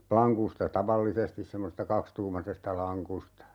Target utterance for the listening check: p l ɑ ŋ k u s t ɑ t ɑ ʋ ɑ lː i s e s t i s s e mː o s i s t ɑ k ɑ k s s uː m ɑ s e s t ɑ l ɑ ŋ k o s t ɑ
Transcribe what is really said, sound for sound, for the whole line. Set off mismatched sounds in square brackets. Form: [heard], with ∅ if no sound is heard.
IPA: p l ɑ ŋ k u s t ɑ t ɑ ʋ ɑ lː i s e s t i s s e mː o s [e] s t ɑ k ɑ k s [t] uː m ɑ s e s t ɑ l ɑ ŋ k [u] s t ɑ